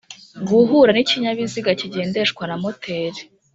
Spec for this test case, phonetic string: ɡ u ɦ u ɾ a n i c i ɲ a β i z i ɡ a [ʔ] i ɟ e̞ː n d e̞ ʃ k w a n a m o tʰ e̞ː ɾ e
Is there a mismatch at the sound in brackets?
yes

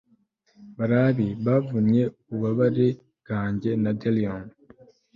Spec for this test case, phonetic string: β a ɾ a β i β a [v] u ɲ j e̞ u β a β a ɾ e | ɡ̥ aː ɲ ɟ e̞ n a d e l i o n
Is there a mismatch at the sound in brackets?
no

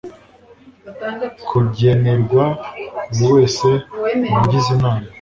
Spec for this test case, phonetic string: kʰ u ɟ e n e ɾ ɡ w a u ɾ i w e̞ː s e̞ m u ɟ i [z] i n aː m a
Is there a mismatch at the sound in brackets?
no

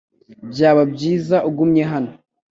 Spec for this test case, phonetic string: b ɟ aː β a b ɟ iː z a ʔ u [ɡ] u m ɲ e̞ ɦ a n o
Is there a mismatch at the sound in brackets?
no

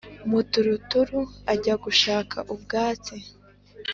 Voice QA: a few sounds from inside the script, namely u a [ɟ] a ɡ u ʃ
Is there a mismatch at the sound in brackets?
no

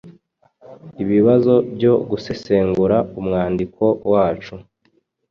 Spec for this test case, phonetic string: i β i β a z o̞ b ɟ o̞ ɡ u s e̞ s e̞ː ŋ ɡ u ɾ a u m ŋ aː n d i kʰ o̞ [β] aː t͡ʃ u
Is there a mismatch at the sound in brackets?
yes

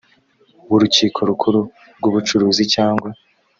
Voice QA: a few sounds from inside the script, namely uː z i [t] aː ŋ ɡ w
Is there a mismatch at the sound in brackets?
yes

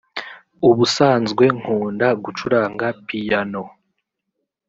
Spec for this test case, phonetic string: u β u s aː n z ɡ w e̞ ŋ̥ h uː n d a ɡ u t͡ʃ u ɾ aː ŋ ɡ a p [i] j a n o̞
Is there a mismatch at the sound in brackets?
no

